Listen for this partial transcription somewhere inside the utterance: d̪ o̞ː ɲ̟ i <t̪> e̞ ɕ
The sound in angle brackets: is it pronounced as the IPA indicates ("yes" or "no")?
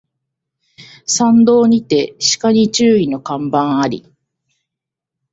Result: yes